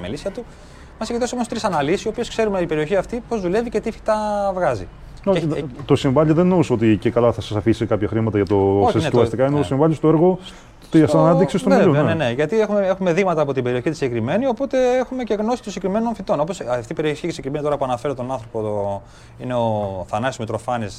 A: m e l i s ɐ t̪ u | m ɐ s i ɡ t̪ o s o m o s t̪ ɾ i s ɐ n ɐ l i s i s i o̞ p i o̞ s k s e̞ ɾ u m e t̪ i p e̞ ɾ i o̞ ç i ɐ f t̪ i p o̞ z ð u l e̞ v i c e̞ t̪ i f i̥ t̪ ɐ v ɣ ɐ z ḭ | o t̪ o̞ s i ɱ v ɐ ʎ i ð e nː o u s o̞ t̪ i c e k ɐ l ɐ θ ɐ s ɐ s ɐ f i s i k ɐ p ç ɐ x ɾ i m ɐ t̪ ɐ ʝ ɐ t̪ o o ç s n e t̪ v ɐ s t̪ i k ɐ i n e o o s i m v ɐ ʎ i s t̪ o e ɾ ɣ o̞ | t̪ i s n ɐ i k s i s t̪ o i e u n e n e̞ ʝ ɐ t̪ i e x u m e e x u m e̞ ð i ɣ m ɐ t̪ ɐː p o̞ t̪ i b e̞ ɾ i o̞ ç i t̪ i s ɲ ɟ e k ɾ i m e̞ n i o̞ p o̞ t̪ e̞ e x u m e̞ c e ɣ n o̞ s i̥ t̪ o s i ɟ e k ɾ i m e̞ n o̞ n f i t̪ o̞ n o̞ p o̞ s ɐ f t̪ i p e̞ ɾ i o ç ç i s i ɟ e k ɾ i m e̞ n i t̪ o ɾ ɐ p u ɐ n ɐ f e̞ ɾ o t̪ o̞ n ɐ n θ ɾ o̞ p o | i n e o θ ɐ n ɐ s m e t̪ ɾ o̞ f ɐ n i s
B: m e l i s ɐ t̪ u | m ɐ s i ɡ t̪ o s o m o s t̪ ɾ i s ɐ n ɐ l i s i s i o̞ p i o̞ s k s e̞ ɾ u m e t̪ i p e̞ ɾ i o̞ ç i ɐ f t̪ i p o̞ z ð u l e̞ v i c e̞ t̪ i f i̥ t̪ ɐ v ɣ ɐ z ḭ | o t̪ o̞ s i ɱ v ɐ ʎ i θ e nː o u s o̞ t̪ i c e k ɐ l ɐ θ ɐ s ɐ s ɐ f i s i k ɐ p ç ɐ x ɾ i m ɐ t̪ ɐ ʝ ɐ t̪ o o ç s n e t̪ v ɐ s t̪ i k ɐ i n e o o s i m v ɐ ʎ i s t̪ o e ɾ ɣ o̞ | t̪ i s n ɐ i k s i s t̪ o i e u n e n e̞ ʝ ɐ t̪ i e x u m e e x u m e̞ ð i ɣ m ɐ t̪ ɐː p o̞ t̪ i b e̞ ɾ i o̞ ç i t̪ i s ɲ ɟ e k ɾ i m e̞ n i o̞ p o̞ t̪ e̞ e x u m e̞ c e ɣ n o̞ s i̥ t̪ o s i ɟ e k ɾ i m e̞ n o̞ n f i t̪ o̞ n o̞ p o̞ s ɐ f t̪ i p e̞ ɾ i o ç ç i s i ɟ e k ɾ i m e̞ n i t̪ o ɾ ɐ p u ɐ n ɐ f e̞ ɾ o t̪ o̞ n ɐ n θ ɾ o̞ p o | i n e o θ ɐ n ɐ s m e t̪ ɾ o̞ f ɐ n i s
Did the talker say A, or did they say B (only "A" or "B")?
A